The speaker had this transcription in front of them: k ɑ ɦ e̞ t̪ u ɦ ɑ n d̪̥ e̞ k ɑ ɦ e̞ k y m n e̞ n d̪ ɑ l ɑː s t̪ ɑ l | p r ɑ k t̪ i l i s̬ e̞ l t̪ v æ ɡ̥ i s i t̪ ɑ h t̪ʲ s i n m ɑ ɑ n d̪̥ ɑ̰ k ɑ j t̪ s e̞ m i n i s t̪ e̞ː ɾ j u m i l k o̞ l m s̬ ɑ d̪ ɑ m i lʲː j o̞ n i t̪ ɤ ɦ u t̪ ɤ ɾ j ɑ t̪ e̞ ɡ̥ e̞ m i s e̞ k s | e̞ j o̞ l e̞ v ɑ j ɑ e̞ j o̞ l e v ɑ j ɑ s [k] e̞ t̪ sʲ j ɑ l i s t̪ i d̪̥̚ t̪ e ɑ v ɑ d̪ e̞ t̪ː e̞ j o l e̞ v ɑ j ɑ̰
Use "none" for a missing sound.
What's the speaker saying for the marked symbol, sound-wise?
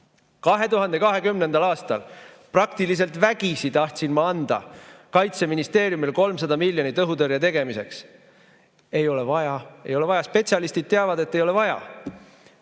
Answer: p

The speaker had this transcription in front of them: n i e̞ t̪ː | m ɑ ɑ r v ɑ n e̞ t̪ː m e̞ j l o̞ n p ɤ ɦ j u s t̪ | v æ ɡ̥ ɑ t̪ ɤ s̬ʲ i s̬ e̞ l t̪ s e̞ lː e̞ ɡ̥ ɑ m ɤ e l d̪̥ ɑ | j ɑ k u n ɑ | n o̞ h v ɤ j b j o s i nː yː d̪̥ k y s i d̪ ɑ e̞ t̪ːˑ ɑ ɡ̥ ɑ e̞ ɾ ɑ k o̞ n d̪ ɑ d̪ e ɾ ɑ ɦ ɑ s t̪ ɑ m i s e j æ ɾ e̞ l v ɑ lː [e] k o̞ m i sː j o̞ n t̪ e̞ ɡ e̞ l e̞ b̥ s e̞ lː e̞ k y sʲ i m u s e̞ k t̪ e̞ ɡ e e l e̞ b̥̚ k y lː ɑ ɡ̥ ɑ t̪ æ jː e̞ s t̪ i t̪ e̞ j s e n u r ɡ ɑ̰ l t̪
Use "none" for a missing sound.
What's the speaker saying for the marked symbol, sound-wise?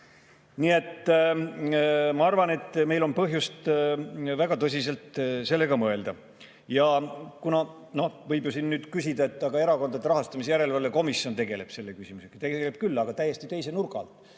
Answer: e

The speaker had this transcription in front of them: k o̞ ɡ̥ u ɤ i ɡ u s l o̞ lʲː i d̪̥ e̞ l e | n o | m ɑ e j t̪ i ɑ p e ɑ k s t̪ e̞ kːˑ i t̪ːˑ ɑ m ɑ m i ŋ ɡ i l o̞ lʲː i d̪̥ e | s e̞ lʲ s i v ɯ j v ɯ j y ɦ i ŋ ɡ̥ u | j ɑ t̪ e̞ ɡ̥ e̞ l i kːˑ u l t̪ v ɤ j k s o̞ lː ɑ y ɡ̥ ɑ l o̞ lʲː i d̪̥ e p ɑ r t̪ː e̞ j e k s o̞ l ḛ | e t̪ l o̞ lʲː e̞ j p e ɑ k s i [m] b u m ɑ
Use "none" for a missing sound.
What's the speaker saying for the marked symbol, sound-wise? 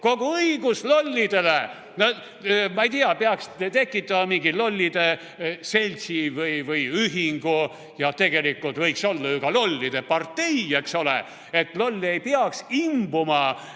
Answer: m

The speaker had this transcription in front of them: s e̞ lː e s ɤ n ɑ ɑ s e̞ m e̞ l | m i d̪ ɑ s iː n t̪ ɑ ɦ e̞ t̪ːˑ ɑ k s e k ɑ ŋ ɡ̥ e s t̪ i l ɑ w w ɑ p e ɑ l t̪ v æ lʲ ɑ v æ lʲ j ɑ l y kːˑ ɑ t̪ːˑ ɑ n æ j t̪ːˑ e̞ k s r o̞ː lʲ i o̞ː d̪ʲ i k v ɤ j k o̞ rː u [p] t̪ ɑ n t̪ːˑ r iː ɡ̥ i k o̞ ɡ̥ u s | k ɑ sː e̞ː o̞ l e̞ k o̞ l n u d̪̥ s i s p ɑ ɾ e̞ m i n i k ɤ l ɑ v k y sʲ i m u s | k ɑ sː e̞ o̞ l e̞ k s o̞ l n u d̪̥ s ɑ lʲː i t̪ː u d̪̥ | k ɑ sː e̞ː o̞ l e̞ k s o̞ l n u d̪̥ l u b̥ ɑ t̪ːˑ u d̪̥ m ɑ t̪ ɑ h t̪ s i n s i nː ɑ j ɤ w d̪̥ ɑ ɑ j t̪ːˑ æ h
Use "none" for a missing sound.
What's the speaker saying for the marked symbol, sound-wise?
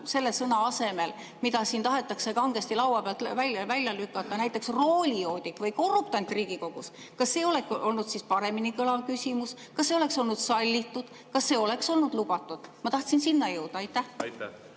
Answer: p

